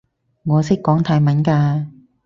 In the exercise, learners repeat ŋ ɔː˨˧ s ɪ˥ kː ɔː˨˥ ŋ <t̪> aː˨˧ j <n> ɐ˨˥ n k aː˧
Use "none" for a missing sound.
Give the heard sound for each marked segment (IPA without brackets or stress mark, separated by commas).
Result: t̪ʰ, m